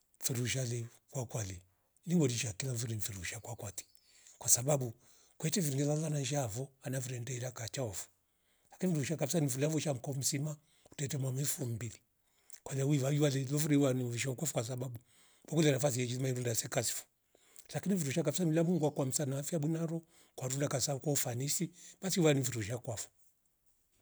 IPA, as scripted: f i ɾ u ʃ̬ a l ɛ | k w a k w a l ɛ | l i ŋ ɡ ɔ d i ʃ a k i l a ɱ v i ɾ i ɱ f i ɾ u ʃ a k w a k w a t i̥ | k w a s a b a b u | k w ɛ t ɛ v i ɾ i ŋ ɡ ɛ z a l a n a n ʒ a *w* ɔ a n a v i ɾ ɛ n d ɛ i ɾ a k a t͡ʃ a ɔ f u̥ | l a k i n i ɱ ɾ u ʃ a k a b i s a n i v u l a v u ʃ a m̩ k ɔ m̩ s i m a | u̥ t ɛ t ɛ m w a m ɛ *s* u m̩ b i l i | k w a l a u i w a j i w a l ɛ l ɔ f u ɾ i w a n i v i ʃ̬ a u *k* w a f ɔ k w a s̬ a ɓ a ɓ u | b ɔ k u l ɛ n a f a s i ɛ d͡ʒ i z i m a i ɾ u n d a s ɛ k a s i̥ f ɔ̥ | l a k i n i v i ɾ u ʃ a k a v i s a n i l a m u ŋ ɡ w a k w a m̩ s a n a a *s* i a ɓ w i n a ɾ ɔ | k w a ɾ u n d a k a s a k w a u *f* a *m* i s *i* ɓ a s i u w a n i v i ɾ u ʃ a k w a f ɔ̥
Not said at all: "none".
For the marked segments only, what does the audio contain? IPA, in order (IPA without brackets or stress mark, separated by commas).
v, f, k, f, f, n, i